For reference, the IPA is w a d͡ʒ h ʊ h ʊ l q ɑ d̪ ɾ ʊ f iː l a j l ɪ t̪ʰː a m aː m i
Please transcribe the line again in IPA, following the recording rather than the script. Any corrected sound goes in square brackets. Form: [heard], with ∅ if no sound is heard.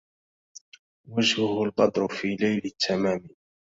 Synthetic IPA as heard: w a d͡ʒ h ʊ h ʊ l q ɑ d̪ ɾ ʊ f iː l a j l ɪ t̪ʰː a m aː m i